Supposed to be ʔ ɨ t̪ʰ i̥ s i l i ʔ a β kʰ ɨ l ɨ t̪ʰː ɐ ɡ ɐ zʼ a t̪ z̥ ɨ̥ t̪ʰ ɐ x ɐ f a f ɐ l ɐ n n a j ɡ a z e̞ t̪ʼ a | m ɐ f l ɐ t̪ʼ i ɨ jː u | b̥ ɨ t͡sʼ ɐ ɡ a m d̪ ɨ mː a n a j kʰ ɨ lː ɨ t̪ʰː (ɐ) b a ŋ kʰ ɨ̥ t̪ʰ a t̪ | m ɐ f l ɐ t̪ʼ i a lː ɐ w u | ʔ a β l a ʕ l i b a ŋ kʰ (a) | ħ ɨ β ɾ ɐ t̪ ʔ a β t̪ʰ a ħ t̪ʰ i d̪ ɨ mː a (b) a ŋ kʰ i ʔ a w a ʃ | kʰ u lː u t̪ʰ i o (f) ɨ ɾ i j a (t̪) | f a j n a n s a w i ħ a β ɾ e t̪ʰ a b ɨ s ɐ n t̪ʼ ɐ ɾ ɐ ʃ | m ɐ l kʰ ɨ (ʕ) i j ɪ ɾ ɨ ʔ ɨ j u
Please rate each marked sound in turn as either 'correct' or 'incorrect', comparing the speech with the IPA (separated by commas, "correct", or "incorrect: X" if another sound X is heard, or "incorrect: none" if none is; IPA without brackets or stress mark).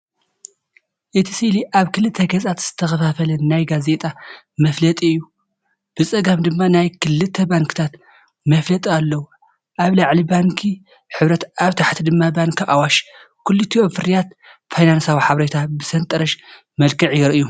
correct, incorrect: i, correct, correct, correct, correct